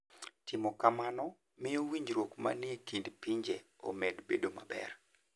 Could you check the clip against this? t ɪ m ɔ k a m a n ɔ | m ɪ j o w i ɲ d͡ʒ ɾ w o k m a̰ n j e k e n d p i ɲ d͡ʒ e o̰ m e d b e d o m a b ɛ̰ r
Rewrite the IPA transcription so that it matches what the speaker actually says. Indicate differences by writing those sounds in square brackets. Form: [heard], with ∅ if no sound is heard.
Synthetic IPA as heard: t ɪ m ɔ k a m a n ɔ | m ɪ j o w i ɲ d͡ʒ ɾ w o k m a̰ n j e k [i] n d p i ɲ d͡ʒ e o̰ m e d b e d o m a b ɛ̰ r